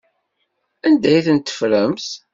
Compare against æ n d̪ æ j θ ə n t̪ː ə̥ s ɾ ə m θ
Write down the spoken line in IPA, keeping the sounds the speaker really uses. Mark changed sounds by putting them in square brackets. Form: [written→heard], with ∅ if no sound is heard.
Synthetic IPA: æ n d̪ æ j θ ə n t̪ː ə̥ [s→f] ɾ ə m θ

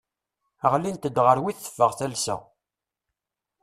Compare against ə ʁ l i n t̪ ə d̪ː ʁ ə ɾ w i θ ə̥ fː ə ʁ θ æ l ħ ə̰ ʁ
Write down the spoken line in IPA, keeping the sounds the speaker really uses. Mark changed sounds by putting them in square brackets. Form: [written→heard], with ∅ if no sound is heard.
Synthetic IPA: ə ʁ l i n t̪ ə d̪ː ʁ ə ɾ w i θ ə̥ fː ə ʁ θ æ l [ħ→s] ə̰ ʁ

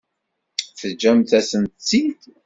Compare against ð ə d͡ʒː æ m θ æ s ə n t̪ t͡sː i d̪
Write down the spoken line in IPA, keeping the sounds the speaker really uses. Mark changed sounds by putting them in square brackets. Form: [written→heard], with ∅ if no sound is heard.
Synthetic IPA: [ð→θ] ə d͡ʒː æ m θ æ s ə n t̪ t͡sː i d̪

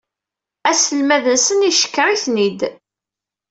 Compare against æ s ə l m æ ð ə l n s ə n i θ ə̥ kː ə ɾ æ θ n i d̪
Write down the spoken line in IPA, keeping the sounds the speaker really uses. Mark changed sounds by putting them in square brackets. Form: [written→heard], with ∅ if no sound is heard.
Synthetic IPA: æ s ə l m æ ð ə [l→∅] n s ə n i [θ→ʃ] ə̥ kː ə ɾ [æ→i] θ n i d̪

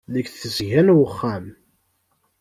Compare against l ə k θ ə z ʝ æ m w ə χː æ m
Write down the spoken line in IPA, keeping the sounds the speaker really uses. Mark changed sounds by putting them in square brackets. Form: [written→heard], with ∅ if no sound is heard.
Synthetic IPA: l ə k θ ə z ʝ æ [m→n] w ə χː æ m

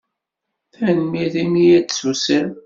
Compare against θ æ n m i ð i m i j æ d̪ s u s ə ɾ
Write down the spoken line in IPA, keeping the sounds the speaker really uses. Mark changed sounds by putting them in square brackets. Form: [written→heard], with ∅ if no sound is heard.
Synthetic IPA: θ æ n m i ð i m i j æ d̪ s u s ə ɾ

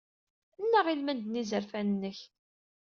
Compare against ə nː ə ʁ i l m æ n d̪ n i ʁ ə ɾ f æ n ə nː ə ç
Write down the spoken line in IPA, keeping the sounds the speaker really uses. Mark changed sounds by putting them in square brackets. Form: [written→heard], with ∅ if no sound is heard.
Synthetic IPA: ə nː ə ʁ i l m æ n d̪ n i [ʁ→z] ə ɾ f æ n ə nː ə ç

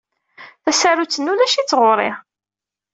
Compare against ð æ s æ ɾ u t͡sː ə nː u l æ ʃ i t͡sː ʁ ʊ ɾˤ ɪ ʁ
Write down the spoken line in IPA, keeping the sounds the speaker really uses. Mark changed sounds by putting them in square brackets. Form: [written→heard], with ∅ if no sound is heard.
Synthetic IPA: [ð→θ] æ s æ ɾ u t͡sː ə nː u l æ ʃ i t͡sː ʁ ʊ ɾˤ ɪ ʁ

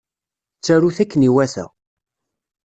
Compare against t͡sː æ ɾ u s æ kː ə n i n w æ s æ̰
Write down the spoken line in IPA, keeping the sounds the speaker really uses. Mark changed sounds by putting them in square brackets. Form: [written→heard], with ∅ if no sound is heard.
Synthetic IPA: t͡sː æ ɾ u [s→θ] æ kː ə n i [n→∅] w æ [s→θ] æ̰

